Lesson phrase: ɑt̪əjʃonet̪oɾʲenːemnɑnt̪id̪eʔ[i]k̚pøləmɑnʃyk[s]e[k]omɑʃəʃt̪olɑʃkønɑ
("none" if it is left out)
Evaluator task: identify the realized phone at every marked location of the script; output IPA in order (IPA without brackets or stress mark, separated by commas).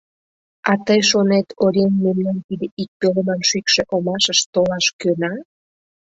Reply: i, ʃ, ʔ